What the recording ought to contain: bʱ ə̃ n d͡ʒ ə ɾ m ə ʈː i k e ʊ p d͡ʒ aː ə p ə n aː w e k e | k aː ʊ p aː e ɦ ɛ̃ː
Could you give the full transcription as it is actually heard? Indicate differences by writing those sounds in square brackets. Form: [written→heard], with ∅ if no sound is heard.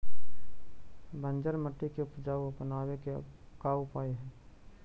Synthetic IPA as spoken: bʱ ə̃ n d͡ʒ ə ɾ m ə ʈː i k e ʊ p d͡ʒ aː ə p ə n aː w e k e | k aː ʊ p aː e ɦ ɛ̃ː